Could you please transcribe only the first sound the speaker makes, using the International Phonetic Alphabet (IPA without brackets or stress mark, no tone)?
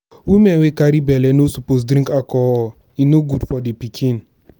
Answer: w